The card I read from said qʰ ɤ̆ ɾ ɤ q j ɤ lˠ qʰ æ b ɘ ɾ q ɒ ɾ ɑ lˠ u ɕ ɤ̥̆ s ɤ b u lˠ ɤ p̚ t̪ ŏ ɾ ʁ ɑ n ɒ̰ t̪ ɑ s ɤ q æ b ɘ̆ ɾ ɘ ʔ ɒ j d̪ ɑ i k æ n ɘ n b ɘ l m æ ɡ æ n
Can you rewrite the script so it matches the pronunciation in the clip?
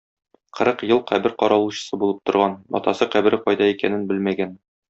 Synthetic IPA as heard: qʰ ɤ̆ ɾ ɤ q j ɤ lˠ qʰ æ b ɘ ɾ q ɒ ɾ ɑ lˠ u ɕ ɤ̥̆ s ɤ b u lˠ ɤ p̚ t̪ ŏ ɾ ʁ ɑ n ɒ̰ t̪ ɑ s ɤ q æ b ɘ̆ ɾ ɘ q ɒ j d̪ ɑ i k æ n ɘ n b ɘ l m æ ɡ æ n